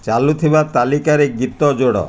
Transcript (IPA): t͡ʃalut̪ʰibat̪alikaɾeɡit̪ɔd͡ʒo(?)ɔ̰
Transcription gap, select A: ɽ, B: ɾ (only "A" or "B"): A